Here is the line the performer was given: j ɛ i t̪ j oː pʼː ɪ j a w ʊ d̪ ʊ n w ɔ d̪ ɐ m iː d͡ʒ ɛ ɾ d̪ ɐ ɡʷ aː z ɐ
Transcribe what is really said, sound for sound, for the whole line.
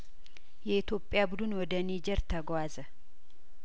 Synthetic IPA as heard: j ɛ ɪ t̪ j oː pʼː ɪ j a b ʊ d̪ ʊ n w ɔ d̪ ɐ n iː d͡ʒ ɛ ɾ t̪ ɐ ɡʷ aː z ɐ